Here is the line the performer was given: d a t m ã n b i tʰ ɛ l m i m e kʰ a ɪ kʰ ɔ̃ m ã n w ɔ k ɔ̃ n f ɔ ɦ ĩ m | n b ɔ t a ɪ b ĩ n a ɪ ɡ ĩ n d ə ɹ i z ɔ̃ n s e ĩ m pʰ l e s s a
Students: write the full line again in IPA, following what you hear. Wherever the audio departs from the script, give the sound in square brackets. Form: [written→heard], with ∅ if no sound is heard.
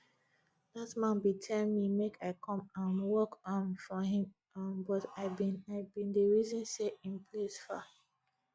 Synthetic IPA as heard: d a t m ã n b i tʰ ɛ l m i m e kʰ a ɪ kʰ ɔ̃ m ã n w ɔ k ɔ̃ n f ɔ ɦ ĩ m | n b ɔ t a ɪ b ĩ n a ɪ [ɡ→b] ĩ n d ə ɹ i z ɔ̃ n s e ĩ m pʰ l e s [s→f] a